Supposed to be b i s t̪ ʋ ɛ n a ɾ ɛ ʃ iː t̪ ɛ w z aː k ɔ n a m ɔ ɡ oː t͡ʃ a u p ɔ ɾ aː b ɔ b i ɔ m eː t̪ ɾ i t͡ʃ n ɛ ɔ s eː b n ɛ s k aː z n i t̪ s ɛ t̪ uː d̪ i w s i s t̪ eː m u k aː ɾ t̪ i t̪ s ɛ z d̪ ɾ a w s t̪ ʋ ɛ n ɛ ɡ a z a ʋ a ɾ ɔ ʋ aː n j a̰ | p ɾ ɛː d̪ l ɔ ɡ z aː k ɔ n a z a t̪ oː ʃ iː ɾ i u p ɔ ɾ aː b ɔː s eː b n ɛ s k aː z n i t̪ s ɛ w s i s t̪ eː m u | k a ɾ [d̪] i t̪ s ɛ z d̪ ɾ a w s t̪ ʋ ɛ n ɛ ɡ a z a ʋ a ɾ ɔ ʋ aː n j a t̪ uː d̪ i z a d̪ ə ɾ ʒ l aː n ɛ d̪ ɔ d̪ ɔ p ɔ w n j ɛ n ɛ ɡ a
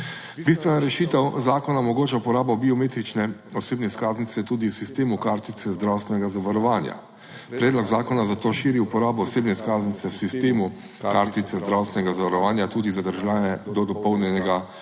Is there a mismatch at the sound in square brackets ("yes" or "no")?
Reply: yes